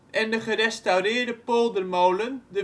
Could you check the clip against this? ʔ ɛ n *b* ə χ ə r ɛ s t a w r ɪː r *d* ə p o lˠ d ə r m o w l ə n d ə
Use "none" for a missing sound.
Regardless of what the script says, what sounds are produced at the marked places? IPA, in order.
d, d

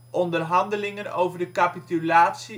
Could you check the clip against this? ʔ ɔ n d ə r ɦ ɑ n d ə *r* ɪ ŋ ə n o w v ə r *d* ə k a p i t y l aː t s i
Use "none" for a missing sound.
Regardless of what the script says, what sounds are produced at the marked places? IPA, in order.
l, d

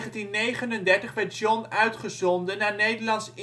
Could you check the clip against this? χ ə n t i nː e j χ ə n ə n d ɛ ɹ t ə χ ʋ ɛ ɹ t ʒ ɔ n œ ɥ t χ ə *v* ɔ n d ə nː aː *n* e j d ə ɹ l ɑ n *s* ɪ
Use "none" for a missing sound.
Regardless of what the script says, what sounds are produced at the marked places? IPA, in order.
z, n, s

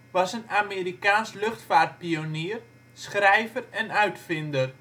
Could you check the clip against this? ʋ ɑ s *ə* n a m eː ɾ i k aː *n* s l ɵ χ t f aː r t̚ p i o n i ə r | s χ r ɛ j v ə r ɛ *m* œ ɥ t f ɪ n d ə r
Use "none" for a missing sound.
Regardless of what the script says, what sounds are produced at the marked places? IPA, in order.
ə, n, n

